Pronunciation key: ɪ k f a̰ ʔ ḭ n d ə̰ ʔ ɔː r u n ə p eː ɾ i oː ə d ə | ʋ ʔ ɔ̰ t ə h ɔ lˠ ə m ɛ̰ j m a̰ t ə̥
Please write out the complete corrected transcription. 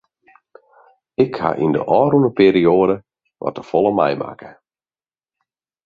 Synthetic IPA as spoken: ɪ k h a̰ ʔ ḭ n d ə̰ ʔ ɔː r u n ə p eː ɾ i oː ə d ə | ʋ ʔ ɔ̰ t ə f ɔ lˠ ə m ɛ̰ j m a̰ k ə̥